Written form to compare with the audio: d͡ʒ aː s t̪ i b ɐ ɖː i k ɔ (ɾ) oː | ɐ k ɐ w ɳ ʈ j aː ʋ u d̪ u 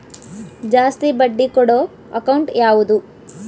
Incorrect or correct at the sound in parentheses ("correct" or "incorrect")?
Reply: incorrect